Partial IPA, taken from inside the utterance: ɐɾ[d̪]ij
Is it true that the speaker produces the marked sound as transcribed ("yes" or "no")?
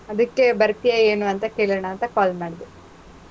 no